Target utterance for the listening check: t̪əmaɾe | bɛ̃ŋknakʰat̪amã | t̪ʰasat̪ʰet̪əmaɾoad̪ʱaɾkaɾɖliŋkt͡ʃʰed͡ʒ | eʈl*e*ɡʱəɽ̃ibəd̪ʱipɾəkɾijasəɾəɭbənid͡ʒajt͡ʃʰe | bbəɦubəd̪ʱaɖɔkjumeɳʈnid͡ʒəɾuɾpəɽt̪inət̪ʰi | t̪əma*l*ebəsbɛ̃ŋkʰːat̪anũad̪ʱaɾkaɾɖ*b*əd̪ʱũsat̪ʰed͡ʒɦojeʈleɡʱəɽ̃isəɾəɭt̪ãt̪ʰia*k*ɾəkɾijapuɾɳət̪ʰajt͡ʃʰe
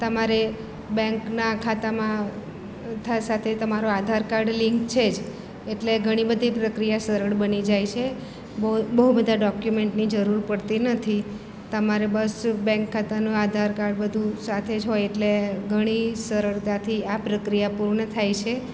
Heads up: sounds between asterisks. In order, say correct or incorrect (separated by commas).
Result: correct, incorrect, correct, incorrect